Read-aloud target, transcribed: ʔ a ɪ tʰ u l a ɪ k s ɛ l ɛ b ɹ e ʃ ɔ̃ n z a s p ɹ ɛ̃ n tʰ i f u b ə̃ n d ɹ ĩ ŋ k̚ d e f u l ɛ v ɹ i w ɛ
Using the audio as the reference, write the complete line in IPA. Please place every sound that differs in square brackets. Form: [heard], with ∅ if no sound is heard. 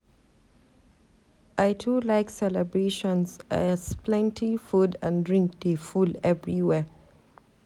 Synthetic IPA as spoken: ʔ a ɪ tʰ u l a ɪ k s ɛ l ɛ b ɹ e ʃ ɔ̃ n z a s p [l] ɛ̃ n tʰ i f u [d] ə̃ n d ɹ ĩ ŋ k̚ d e f u l ɛ v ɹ i w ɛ